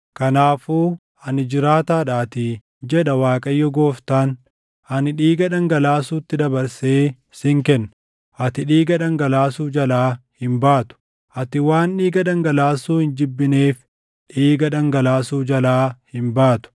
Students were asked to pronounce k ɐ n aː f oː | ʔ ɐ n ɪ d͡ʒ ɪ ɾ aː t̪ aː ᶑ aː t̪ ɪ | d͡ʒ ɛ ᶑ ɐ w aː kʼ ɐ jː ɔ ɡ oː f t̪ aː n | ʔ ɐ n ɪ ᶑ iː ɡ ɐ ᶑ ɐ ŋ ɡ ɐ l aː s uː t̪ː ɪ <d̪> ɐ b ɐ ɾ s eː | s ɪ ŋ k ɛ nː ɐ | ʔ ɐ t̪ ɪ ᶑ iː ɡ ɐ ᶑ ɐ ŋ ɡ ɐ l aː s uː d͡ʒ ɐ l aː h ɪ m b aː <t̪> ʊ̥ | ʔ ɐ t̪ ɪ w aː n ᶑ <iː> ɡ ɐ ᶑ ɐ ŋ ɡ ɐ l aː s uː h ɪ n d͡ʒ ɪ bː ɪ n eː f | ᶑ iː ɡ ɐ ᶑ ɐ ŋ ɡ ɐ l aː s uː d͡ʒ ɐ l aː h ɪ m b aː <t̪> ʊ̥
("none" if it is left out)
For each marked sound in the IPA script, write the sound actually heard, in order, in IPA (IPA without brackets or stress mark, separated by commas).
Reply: d̪, t̪, iː, t̪